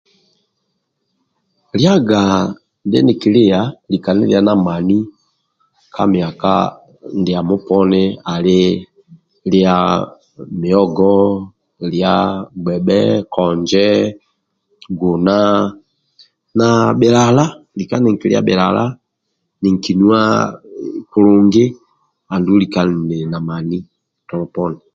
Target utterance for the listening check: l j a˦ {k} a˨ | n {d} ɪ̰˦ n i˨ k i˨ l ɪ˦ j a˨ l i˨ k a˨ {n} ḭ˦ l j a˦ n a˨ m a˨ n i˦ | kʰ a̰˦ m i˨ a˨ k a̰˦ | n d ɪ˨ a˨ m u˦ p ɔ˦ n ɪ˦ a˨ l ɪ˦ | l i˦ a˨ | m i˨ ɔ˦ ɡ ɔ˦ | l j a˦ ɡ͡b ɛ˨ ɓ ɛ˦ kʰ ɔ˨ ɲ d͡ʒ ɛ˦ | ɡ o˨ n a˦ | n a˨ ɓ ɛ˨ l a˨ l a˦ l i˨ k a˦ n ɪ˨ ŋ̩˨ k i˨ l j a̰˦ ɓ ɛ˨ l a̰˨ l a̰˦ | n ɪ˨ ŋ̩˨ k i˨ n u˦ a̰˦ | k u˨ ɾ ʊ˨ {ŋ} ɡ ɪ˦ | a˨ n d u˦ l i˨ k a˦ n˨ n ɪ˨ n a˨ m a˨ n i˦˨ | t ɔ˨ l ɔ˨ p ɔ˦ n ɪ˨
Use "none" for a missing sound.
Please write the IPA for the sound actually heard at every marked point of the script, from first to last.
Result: ɡ, d, n, ŋ

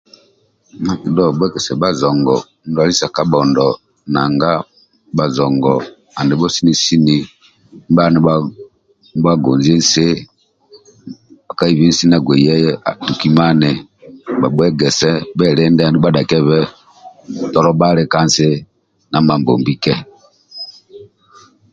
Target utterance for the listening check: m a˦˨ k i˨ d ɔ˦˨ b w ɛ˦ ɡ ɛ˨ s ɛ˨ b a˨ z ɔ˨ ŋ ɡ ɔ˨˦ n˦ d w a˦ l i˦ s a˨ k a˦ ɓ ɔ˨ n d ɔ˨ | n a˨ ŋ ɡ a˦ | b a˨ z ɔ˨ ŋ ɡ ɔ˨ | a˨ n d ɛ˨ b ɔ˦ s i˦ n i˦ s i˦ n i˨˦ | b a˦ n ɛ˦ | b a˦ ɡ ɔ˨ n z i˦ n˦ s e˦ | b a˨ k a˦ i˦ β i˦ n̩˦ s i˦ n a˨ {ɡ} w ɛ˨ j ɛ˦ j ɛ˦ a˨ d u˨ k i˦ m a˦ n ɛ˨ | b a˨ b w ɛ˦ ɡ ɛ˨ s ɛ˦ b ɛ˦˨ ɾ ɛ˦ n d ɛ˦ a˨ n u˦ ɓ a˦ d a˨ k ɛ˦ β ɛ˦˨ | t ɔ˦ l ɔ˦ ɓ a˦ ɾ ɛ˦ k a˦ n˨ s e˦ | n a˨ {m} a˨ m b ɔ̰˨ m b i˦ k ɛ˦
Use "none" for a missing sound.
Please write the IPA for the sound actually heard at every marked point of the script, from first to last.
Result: ɡ, m

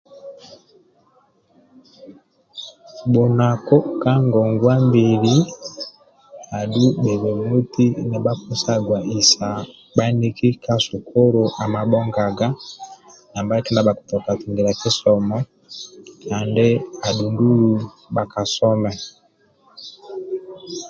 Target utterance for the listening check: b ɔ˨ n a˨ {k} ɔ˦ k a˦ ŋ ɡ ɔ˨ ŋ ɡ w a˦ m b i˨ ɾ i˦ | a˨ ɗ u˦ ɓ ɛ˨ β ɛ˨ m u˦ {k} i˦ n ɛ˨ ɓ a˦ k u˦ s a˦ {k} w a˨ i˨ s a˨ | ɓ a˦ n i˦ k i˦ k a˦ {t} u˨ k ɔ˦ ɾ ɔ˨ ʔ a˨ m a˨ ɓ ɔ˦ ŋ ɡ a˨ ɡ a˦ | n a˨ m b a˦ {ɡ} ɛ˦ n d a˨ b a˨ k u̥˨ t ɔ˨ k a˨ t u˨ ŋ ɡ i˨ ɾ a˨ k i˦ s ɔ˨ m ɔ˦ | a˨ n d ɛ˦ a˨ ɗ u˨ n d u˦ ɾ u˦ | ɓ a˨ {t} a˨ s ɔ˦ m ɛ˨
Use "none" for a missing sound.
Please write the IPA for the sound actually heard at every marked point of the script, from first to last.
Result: k, t, ɡ, s, k, k

